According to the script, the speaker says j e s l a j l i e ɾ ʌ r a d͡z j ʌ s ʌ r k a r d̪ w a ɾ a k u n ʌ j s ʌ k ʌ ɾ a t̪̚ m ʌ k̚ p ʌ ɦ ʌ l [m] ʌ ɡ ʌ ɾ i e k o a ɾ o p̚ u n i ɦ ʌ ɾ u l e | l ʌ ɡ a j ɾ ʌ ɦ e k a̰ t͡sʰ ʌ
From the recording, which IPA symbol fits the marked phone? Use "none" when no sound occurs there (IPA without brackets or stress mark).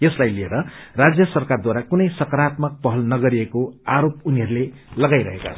n